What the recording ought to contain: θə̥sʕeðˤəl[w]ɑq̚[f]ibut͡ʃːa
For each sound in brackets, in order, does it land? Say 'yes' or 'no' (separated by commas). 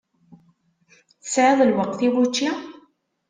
yes, no